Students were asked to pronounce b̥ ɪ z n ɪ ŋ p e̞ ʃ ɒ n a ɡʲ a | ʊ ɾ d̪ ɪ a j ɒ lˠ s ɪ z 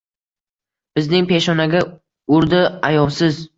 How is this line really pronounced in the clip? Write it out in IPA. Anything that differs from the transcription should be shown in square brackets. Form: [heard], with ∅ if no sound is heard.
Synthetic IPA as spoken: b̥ ɪ z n ɪ ŋ p e̞ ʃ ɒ n a ɡʲ a | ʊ ɾ d̪ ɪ a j ɒ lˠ s ɪ z